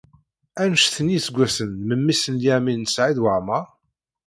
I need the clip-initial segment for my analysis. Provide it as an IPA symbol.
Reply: æ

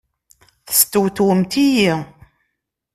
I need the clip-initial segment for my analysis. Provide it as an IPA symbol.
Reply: θ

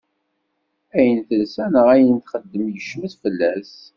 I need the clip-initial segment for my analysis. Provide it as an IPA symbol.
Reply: æ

